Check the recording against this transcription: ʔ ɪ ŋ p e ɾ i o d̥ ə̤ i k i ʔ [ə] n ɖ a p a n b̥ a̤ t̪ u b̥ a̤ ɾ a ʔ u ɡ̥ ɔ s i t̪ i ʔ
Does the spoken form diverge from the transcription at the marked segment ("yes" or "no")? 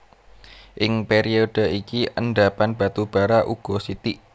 no